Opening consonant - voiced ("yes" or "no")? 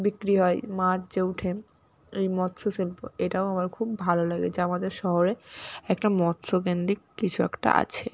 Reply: yes